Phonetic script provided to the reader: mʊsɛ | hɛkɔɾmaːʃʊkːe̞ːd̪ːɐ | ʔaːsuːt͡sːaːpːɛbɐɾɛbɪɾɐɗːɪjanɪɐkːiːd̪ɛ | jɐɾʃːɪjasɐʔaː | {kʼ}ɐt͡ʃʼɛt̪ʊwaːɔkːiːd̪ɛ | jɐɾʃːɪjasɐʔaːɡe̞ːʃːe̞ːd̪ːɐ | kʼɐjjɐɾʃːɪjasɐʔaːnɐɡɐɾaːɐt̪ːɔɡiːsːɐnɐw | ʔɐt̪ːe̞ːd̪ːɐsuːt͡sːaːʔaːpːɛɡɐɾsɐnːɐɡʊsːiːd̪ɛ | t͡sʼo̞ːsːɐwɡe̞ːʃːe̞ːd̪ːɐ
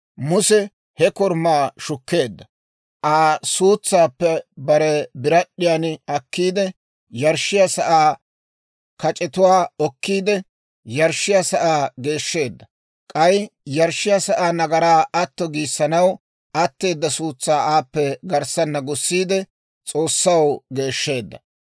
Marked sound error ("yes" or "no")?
yes